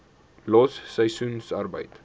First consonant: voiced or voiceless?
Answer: voiced